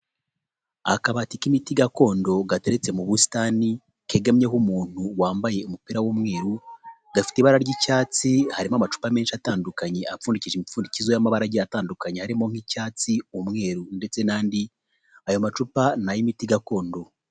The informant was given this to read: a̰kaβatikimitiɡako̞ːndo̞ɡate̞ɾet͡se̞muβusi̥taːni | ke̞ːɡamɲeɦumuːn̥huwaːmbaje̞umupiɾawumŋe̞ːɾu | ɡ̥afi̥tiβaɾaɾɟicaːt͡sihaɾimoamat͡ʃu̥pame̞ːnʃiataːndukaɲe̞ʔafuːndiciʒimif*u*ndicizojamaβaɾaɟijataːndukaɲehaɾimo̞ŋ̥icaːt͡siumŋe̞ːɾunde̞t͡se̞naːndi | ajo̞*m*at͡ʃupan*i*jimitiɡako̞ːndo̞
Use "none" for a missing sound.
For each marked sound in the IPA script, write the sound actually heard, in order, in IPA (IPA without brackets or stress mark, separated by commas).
uː, m, a